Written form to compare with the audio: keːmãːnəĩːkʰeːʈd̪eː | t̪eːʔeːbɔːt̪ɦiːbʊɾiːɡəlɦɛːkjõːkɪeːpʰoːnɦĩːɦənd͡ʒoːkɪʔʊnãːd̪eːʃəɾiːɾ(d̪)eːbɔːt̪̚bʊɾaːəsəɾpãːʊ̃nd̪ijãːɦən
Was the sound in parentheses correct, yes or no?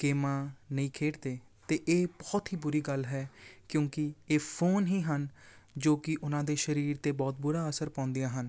no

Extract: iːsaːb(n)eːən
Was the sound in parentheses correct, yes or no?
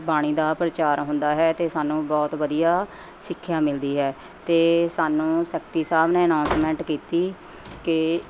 yes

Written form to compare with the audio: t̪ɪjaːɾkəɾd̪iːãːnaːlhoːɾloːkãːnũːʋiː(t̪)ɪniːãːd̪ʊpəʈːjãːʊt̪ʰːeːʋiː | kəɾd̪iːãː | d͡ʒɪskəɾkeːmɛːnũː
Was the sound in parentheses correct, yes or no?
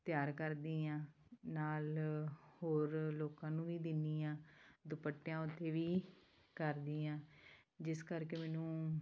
no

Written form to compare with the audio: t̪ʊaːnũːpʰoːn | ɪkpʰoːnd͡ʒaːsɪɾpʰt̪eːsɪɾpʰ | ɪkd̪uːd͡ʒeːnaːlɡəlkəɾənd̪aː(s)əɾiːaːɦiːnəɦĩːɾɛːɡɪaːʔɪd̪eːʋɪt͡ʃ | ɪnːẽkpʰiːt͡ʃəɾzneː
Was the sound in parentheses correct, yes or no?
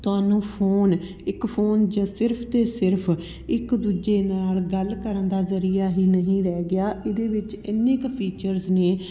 no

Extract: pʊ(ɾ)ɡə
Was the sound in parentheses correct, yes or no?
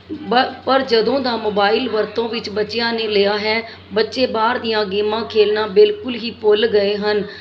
no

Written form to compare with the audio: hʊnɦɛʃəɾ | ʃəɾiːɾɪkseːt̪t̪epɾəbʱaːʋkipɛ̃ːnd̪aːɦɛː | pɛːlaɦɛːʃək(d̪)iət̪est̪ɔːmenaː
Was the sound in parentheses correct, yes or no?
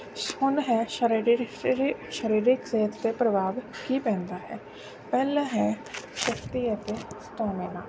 no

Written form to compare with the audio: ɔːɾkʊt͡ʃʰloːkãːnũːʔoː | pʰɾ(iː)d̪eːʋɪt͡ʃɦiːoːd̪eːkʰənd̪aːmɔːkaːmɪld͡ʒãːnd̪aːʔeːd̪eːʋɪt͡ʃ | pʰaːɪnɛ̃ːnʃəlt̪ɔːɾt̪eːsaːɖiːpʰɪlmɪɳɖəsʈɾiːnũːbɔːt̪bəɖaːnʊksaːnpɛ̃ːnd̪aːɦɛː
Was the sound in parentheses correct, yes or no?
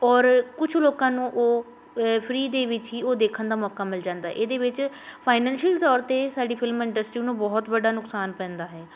yes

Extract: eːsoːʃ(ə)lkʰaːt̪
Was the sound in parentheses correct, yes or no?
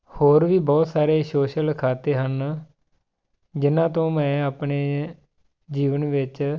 yes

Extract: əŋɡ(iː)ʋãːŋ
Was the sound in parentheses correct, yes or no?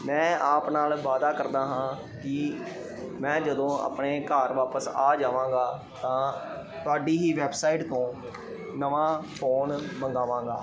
no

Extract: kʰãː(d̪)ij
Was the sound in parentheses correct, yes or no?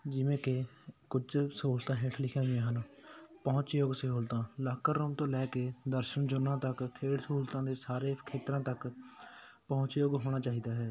no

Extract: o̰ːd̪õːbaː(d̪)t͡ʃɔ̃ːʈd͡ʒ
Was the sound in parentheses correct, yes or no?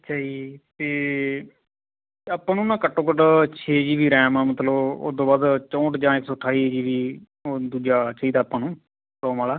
yes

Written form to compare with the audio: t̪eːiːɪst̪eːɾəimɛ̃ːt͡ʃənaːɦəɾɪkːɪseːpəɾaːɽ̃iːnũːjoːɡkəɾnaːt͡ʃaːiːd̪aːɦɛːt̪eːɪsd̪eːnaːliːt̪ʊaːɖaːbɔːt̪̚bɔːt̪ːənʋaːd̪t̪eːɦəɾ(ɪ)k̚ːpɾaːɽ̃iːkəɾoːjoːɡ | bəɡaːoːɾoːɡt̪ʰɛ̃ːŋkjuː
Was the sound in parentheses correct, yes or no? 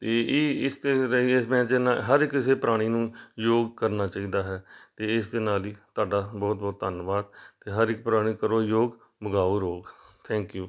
yes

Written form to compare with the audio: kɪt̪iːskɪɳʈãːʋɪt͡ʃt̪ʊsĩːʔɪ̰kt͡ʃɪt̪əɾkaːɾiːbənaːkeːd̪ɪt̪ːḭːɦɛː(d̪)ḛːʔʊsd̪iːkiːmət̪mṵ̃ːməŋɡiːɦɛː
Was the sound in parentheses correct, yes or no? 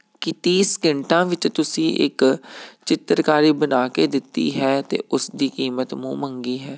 no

